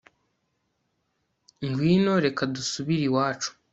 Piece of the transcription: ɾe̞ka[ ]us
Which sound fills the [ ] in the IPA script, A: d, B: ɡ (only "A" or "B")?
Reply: A